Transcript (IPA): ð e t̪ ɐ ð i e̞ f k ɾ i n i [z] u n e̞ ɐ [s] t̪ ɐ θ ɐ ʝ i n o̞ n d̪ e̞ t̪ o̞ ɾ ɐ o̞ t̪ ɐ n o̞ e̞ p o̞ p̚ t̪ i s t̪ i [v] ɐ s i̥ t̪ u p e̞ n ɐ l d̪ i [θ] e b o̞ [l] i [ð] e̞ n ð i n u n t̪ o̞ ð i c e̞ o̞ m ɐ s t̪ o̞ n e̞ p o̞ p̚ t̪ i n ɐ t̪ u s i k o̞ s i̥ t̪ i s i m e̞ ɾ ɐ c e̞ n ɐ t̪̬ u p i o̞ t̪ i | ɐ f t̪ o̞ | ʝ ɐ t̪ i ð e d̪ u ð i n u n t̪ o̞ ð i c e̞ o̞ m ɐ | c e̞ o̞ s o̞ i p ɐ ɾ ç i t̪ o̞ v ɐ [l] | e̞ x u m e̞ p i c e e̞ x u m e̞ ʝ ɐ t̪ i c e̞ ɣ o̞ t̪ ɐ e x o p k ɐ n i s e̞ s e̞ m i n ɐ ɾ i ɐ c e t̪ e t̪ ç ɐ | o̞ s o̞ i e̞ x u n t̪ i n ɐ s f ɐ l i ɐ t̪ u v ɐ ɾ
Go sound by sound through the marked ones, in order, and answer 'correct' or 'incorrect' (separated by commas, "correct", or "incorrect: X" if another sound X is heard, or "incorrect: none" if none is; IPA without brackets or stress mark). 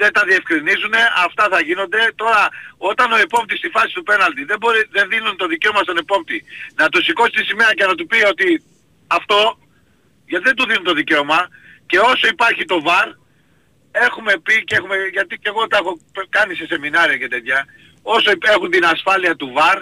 correct, incorrect: f, incorrect: f, incorrect: ð, incorrect: ɾ, correct, incorrect: ɾ